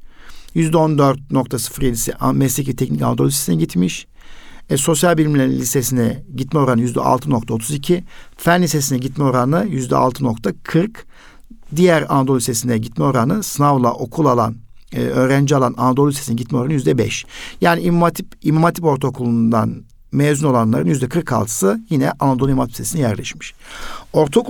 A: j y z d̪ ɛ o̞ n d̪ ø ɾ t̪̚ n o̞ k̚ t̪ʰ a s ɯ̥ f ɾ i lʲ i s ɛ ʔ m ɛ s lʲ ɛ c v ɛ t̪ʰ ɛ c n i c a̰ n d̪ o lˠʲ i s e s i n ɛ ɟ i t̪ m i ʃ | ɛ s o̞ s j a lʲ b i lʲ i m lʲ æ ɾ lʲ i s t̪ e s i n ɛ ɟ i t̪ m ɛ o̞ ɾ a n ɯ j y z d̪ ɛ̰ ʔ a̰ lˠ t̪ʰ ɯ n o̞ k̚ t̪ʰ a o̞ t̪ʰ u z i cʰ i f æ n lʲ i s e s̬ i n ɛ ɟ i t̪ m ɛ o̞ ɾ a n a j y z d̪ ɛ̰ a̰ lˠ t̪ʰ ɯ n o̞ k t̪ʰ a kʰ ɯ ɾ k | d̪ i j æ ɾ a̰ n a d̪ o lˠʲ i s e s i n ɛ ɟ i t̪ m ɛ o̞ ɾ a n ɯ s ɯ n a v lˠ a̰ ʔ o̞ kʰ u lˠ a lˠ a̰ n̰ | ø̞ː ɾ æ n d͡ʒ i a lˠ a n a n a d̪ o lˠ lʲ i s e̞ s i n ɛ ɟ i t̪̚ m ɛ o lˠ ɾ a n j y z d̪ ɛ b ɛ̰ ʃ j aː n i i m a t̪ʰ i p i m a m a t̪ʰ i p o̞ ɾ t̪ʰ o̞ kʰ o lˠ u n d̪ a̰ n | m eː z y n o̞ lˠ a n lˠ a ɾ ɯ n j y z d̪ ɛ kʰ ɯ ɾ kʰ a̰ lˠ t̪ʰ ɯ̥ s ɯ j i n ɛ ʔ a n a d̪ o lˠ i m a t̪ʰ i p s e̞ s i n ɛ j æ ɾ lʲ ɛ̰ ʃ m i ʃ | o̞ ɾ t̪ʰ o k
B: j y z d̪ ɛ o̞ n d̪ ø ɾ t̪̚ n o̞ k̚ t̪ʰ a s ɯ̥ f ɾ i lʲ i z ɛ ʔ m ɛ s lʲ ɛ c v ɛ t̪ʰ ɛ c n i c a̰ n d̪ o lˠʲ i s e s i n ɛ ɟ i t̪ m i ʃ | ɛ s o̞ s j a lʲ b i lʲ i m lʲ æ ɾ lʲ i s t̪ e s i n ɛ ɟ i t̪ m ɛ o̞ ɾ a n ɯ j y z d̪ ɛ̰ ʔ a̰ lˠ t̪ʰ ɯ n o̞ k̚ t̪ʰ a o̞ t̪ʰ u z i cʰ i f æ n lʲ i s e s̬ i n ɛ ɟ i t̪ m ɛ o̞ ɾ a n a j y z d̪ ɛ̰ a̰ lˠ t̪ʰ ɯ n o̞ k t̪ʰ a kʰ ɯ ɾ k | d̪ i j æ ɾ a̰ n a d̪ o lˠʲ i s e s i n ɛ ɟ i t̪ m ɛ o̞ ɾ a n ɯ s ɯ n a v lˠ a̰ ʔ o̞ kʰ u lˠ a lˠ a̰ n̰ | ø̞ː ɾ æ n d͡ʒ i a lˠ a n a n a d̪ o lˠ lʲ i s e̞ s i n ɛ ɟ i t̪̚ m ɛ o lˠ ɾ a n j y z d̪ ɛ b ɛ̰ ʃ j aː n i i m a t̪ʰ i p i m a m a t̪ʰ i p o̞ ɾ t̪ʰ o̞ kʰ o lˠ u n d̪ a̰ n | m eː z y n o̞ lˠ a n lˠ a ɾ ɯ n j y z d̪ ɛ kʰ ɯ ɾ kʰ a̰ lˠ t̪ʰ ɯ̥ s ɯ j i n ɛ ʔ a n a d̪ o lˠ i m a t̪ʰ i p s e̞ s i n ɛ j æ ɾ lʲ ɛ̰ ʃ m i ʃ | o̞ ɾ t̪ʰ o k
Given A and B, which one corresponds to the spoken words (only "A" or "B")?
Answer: A